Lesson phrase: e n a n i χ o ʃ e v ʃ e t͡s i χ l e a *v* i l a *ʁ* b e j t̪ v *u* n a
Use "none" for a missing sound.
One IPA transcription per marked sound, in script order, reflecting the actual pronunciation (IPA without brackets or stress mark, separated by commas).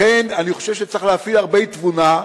f, ʁ, u